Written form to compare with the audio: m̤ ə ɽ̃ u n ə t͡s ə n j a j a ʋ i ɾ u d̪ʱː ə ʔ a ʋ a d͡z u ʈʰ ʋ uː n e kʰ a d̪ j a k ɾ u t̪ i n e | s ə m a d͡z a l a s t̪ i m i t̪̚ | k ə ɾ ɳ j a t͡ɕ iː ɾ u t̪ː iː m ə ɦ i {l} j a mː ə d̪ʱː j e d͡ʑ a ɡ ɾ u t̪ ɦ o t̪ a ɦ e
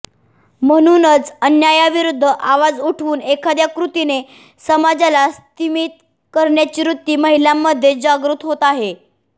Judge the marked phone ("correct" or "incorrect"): correct